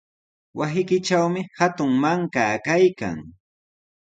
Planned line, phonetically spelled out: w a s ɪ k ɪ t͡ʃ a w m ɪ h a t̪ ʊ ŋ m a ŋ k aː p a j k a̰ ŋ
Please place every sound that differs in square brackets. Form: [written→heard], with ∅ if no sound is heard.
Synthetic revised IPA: w a s ɪ k ɪ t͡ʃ a w m ɪ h a t̪ ʊ ŋ m a ŋ k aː [p→k] a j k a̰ ŋ